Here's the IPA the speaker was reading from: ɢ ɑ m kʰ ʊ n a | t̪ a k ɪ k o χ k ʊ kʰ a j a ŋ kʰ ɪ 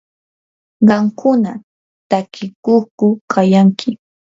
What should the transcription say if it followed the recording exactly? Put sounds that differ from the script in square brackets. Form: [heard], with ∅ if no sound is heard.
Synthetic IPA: ɢ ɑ m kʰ ʊ n a | t̪ a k ɪ k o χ k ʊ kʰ a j a ŋ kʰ ɪ